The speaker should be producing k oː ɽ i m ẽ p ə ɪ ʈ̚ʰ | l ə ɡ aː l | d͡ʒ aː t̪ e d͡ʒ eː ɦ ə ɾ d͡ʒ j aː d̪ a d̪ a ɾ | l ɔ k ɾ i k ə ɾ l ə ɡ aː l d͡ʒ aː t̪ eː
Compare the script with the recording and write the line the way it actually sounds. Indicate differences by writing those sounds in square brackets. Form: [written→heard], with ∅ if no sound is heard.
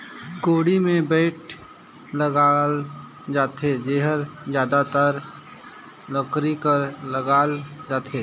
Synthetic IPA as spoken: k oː ɽ i m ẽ [p→b] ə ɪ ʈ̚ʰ | l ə ɡ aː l | d͡ʒ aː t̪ e d͡ʒ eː ɦ ə ɾ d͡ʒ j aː d̪ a [d̪→t̪] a ɾ | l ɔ k ɾ i k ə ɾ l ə ɡ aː l d͡ʒ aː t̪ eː